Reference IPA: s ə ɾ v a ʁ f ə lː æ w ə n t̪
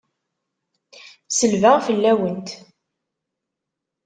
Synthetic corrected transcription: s ə l v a ʁ f ə lː æ w ə n t̪